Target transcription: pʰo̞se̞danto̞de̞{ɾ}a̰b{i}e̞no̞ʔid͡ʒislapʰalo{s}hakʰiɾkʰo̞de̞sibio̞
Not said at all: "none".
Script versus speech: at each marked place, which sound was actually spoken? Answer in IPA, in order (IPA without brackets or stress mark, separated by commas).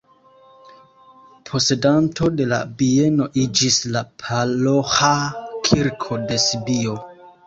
l, i, none